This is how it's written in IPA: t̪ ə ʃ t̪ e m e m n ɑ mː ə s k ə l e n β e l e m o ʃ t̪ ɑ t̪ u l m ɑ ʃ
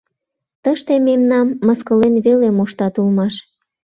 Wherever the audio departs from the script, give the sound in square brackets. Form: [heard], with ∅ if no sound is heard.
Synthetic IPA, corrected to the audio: t̪ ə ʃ t̪ e m e m n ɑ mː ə s k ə l e n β e l e m o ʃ t̪ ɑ t̪ u l m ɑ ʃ